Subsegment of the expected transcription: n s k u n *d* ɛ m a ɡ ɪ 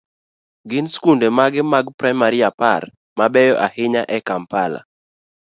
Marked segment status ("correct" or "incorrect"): correct